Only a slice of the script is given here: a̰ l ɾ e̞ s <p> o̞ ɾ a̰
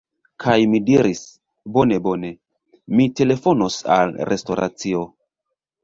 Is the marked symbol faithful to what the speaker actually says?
no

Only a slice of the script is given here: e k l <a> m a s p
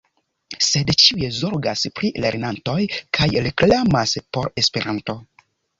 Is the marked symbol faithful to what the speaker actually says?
yes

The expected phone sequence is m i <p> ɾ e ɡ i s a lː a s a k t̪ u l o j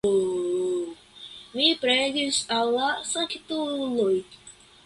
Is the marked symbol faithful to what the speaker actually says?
yes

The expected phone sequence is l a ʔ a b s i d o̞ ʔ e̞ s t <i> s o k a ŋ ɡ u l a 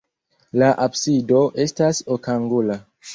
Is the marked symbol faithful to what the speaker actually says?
no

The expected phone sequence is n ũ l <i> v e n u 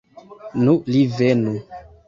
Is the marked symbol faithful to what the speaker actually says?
yes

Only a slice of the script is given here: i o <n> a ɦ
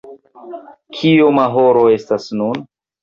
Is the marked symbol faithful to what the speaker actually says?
no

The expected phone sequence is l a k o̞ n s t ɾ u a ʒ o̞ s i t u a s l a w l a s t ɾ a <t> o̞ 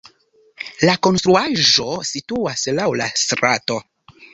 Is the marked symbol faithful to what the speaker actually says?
yes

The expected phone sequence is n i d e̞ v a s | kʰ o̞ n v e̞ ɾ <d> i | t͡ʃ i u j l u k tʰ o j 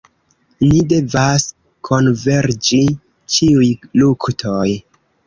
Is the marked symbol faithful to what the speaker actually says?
no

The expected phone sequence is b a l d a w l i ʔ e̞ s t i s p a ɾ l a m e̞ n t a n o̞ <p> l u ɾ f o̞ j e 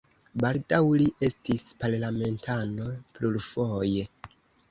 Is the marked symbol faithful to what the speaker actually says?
yes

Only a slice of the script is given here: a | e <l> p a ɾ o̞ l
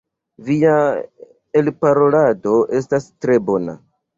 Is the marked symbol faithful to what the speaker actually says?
yes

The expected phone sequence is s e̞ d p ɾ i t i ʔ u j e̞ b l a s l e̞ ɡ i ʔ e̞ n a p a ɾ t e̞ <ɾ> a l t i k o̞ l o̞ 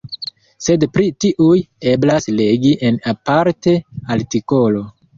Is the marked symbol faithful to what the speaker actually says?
no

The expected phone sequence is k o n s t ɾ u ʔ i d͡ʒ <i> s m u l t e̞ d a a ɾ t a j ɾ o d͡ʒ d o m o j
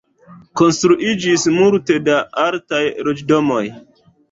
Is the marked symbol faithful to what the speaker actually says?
yes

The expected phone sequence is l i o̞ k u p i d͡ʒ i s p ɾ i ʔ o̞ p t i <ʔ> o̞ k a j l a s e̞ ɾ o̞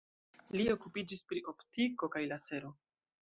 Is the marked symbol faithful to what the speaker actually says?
no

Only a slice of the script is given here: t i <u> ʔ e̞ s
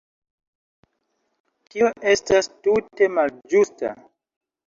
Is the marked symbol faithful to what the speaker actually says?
no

